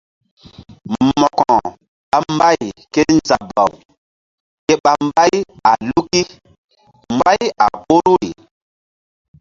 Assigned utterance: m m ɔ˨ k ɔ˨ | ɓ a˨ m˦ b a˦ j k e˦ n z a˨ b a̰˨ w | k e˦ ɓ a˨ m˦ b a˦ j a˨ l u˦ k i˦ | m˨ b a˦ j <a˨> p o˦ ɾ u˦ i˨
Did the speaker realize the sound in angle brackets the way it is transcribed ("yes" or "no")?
yes